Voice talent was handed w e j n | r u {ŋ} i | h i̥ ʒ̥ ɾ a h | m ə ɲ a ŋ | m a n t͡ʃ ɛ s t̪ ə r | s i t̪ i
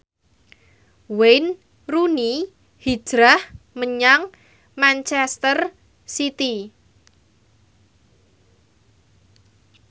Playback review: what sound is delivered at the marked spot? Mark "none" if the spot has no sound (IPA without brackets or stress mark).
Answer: n